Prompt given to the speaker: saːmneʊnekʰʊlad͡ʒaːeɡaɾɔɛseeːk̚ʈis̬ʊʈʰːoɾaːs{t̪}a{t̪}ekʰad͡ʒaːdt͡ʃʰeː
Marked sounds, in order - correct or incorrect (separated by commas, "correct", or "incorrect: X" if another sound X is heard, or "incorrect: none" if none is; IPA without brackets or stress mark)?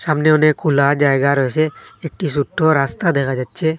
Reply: correct, incorrect: d̪